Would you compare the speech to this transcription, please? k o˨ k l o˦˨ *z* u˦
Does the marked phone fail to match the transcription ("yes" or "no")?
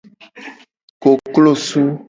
yes